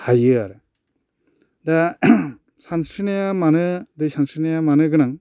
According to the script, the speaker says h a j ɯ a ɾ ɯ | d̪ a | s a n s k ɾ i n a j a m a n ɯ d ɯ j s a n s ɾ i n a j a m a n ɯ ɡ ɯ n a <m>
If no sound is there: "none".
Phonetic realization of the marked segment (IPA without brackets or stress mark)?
ŋ